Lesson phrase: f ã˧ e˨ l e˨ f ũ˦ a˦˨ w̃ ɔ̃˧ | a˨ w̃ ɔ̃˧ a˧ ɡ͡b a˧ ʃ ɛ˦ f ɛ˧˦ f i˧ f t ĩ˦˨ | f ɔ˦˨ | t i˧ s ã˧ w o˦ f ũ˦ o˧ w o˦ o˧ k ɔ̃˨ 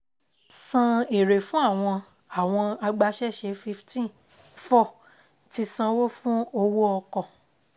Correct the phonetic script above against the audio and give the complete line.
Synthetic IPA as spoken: s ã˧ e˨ ɾ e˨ f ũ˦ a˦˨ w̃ ɔ̃˧ | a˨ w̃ ɔ̃˧ a˧ ɡ͡b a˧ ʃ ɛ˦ ʃ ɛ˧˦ f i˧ f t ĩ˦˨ | f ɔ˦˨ | t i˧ s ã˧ w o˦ f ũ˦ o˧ w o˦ ɔ˧ k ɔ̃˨

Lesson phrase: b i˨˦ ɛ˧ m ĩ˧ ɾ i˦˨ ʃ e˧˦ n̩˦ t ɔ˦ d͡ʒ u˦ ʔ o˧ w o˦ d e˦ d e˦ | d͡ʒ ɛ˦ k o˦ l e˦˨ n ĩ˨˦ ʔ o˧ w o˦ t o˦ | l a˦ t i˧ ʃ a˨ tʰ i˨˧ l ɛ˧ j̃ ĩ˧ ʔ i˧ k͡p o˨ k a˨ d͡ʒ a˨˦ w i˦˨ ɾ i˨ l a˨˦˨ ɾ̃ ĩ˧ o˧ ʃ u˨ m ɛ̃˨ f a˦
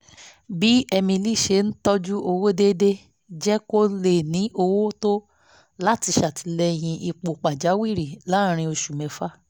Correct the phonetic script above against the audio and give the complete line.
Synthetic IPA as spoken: b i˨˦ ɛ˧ m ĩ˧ l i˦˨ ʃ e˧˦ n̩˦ t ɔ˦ d͡ʒ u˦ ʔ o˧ w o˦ d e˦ d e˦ | d͡ʒ ɛ˦ k o˦ l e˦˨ n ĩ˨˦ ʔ o˧ w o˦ t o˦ | l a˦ t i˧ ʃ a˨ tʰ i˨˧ l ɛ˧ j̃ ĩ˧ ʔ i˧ k͡p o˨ k͡p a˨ d͡ʒ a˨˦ w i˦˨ ɾ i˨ l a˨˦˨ ɾ̃ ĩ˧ o˧ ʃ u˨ m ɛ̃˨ f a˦

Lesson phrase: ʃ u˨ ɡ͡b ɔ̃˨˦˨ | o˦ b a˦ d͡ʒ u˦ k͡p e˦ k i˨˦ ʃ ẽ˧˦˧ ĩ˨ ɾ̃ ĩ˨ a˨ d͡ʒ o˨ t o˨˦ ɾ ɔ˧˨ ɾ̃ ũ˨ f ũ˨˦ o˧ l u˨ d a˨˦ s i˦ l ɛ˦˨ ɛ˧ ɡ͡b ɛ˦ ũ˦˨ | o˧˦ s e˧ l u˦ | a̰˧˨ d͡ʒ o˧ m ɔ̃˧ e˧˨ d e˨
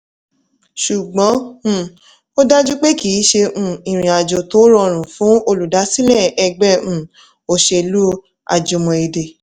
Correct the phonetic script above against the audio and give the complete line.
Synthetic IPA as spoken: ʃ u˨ ɡ͡b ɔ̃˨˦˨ | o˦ d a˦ d͡ʒ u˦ k͡p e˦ k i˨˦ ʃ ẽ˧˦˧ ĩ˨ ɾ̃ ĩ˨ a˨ d͡ʒ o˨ t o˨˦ ɾ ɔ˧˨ ɾ̃ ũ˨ f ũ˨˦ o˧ l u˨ d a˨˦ s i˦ l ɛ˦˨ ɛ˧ ɡ͡b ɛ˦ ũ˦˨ | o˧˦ ʃ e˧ l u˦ | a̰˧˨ d͡ʒ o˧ m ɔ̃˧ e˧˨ d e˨

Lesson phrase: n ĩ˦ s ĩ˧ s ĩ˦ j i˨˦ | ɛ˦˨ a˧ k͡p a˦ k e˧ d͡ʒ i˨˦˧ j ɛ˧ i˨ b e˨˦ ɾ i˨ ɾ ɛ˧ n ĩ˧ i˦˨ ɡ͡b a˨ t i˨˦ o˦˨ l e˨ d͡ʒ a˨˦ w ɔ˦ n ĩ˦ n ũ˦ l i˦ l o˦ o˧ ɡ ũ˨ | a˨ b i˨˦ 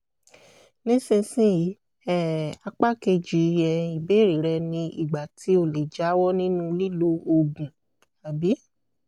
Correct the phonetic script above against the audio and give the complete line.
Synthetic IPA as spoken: n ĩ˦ s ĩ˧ s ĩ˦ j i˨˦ | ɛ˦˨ a˧ k͡p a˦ k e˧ d͡ʒ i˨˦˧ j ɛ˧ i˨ b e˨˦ ɾ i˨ ɾ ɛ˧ n ĩ˧ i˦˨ ɡ͡b a˨ t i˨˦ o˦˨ l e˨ d͡ʒ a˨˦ w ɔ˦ n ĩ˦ n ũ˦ l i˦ l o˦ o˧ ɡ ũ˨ | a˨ b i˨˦

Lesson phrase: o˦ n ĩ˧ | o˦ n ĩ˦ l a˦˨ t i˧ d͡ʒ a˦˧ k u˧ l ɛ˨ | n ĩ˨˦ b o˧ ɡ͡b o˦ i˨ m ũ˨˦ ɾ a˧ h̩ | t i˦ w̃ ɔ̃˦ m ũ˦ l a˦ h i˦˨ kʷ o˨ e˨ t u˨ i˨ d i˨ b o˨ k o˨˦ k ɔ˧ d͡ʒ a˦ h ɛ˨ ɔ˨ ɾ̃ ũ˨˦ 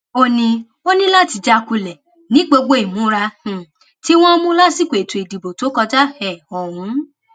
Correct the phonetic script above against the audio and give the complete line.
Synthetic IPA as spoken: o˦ n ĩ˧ | o˦ n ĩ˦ l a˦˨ t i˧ d͡ʒ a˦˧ k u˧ l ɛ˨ | n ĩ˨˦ ɡ͡b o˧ ɡ͡b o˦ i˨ m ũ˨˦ ɾ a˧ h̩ | t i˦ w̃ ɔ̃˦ m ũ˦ l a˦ s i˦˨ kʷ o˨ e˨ t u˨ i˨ d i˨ b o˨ t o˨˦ k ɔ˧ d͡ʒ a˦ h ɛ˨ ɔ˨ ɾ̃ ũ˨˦

